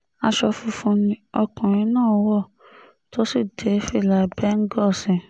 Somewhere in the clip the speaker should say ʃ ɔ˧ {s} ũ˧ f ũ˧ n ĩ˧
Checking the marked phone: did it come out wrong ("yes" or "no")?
yes